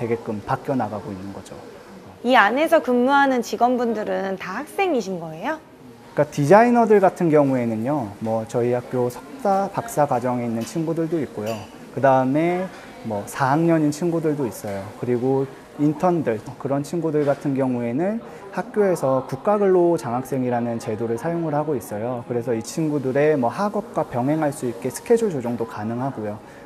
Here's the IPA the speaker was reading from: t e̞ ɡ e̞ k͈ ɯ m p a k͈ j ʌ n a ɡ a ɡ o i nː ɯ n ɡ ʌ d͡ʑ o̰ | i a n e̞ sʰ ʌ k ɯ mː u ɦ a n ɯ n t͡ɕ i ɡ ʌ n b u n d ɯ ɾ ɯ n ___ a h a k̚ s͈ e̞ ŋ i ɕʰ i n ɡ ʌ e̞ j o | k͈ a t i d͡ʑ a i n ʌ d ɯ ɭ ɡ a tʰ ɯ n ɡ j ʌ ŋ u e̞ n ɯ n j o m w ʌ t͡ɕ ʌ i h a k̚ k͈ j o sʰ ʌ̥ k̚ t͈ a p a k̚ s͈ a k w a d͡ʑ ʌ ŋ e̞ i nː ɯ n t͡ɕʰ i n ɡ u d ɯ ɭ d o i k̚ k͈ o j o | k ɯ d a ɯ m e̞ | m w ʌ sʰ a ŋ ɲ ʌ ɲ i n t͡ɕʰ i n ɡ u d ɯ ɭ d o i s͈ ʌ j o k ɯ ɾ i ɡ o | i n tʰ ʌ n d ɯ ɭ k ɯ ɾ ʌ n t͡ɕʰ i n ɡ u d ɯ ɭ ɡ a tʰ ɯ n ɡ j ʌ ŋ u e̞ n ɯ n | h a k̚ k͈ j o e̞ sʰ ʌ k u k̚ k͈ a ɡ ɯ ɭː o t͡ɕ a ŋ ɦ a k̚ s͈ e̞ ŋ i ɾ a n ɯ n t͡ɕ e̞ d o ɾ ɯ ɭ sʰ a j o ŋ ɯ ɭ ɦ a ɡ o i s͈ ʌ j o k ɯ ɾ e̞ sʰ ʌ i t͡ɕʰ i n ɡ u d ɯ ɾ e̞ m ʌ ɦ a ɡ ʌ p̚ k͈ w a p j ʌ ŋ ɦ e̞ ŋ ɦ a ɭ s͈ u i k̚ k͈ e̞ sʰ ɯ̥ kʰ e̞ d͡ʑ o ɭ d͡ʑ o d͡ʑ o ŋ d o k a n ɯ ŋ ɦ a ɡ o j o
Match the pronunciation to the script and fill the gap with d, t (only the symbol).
t